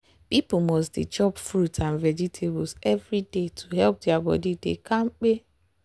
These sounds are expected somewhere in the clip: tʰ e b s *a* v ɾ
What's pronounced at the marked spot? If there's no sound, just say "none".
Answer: ɛ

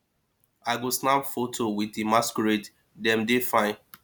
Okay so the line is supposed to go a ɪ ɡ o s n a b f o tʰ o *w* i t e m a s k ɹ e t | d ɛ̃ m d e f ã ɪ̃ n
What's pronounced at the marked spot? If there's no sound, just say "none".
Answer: w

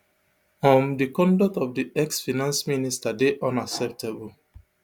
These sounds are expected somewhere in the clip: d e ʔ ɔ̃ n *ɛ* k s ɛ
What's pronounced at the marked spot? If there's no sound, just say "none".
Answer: a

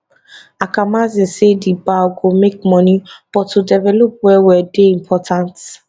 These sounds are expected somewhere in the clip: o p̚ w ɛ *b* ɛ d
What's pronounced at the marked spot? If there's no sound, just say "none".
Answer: w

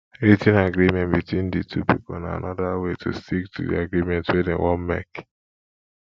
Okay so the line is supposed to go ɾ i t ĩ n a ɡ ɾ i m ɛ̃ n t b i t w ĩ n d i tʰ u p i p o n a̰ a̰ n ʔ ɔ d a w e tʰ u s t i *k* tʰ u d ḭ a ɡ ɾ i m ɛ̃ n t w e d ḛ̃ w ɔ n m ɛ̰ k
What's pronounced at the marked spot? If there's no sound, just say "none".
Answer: k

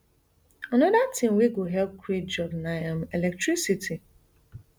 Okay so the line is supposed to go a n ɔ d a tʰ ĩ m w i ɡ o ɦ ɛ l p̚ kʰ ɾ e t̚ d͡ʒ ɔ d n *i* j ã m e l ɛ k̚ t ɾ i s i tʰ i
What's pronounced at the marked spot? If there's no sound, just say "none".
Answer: a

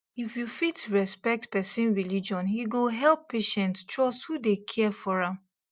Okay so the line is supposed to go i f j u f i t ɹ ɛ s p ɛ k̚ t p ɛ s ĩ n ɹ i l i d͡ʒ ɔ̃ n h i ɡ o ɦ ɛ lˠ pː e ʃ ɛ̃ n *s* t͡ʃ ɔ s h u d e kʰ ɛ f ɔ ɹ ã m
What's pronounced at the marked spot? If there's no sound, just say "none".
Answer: t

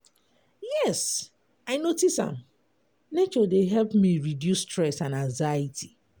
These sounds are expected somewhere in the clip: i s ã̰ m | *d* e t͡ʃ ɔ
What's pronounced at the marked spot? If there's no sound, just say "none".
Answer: n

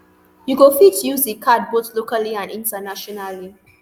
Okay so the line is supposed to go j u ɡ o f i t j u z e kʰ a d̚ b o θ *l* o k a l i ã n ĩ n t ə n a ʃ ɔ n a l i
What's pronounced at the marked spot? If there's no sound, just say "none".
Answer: l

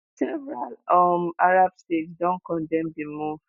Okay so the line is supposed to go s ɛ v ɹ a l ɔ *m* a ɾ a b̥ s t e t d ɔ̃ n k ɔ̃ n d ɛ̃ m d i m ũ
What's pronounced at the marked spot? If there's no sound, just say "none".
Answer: m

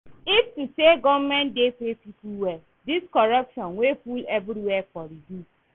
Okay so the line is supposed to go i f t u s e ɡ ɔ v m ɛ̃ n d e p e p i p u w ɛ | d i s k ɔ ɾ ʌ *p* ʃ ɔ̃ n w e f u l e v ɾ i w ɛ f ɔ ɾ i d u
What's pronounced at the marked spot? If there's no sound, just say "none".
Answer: p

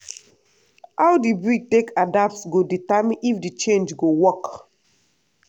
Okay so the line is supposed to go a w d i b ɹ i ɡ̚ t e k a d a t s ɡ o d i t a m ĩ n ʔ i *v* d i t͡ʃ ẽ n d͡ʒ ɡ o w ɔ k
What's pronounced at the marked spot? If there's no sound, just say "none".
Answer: f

